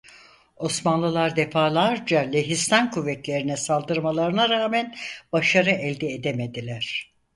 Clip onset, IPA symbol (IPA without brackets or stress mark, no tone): o̞